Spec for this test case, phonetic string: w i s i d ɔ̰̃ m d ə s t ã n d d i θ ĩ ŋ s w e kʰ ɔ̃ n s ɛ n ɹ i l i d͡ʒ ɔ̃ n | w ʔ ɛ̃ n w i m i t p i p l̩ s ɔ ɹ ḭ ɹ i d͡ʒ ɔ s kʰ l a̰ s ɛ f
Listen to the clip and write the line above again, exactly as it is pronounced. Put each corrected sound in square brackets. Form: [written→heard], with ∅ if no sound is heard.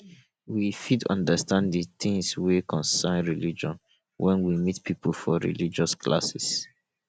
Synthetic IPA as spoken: w i [s→f] i d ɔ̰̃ [m→n] d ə s t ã n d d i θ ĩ ŋ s w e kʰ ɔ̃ n s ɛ n ɹ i l i d͡ʒ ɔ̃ n | w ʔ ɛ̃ n w i m i t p i p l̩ [s→f] ɔ ɹ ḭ [ɹ→l] i d͡ʒ ɔ s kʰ l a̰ s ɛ [f→s]